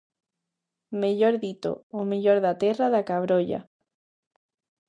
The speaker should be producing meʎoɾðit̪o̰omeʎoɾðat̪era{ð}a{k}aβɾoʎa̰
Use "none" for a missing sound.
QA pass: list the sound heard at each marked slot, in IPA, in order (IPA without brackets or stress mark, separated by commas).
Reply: ð, k